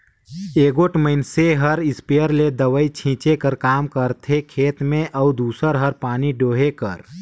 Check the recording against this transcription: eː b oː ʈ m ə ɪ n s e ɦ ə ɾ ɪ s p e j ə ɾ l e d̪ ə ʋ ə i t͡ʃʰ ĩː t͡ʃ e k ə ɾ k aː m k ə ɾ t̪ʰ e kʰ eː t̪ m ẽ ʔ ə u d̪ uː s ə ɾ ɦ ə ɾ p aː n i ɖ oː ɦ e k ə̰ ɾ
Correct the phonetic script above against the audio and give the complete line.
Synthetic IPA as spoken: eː ɡ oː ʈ m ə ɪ n s e ɦ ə ɾ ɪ s p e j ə ɾ l e d̪ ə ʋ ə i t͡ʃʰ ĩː t͡ʃ e k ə ɾ k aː m k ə ɾ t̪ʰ e kʰ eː t̪ m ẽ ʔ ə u d̪ uː s ə ɾ ɦ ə ɾ p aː n i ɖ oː ɦ e k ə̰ ɾ